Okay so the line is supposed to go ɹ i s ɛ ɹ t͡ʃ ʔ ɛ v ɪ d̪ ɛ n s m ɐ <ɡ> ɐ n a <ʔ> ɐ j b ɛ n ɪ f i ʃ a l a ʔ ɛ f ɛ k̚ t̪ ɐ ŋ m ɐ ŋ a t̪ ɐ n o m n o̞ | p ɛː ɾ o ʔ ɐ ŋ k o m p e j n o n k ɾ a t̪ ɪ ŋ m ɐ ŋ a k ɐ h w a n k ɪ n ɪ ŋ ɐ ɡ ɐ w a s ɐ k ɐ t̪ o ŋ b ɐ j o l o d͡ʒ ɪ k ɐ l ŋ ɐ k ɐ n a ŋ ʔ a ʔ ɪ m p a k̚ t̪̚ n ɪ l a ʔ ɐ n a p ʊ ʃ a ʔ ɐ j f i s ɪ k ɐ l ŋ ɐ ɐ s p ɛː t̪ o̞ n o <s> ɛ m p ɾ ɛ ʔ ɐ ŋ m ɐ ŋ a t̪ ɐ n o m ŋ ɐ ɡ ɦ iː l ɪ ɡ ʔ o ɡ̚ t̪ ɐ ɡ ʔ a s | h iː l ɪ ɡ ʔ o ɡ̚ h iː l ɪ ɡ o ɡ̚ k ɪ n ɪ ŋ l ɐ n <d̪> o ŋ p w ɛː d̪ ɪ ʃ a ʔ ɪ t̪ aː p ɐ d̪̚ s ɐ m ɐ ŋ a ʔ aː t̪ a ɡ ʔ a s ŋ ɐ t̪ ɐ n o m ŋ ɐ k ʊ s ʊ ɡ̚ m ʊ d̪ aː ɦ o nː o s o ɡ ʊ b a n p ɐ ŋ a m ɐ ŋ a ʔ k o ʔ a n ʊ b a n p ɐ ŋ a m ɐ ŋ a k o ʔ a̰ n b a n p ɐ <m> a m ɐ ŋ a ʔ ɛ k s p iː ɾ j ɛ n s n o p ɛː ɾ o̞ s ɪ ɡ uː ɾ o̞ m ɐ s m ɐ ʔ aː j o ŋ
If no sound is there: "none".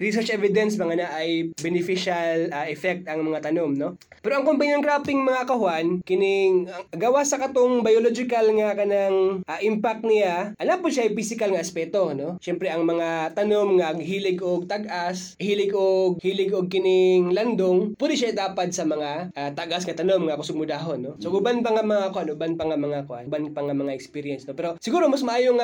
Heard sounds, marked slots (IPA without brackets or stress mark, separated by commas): ŋ, ʔ, ʃ, d̪, ŋ